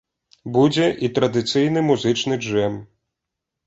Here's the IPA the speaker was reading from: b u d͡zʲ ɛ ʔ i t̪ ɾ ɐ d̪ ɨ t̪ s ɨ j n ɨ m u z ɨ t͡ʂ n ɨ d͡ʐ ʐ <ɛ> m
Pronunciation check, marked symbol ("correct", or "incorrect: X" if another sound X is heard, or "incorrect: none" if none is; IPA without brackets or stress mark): correct